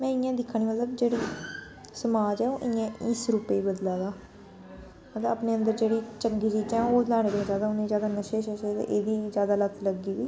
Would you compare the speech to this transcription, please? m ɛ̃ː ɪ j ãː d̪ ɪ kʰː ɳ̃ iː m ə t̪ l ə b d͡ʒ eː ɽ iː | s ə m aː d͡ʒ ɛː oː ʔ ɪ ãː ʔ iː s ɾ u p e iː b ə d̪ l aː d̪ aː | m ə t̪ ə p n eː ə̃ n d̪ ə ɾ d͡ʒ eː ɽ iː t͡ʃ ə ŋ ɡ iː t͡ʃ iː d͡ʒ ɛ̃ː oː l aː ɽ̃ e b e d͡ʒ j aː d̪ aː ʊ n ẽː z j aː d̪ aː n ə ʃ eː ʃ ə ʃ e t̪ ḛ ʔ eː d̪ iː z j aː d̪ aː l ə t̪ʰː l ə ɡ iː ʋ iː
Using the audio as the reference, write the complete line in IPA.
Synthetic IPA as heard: m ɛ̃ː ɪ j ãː d̪ ɪ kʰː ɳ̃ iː m ə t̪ l ə b d͡ʒ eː ɽ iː | s ə m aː d͡ʒ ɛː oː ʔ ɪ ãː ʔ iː s ɾ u p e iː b ə d̪ l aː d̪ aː | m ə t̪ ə p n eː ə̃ n d̪ ə ɾ d͡ʒ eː ɽ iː t͡ʃ ə ŋ ɡ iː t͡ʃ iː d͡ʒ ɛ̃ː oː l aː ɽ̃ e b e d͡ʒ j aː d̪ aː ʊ n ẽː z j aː d̪ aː n ə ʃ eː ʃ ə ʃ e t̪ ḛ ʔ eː d̪ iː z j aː d̪ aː l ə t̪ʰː l ə ɡ iː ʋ iː